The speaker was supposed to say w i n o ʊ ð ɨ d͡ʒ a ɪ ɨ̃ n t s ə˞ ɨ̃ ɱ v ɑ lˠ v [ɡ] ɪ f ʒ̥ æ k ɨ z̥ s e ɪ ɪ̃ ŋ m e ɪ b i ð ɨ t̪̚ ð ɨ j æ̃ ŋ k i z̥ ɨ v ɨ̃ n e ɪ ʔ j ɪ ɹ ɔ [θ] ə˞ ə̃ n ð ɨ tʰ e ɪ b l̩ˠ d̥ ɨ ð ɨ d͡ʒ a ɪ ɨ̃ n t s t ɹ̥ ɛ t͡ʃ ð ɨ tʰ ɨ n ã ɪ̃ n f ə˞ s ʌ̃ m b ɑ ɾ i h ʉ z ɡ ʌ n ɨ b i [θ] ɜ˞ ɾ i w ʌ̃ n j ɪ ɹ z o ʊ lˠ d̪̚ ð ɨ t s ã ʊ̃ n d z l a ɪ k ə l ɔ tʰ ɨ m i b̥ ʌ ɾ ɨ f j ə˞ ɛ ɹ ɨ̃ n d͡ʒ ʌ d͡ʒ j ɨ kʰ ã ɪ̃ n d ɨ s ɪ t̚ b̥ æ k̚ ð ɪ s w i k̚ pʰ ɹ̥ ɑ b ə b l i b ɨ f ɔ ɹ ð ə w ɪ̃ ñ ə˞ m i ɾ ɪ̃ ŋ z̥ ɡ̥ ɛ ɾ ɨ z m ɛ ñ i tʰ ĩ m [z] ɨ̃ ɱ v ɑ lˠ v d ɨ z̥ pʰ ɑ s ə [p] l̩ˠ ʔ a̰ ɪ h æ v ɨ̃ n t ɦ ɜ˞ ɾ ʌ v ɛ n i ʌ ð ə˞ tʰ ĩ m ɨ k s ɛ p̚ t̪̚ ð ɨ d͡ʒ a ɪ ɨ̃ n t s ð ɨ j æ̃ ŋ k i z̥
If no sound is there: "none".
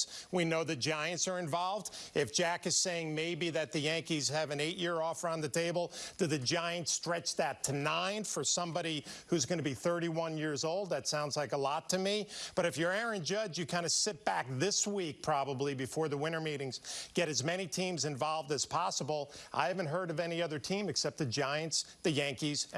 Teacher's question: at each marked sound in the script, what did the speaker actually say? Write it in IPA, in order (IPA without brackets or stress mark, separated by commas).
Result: d, f, θ, z, b